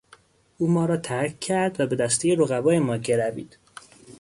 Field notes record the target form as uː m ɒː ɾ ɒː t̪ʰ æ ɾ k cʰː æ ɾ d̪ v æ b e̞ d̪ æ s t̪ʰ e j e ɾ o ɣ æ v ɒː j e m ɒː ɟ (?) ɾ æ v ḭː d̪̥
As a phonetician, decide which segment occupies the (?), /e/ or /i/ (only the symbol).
e